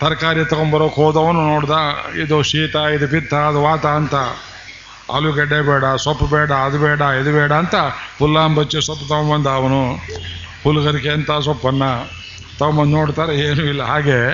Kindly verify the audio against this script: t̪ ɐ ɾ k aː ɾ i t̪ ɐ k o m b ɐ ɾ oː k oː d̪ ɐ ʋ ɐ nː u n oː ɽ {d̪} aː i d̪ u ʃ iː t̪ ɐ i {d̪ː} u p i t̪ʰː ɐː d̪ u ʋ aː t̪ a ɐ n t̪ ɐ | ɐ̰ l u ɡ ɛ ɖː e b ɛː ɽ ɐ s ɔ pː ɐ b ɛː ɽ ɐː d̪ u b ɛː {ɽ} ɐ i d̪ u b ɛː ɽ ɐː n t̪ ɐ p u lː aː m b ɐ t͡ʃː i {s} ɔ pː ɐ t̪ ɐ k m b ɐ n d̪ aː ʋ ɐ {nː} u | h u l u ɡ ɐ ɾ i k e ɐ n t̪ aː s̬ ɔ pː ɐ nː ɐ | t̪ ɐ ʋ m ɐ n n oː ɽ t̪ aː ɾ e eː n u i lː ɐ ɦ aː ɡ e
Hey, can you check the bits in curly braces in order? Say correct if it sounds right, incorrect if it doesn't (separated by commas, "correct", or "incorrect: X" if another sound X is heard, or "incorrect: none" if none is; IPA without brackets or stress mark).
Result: correct, incorrect: d̪, correct, correct, incorrect: n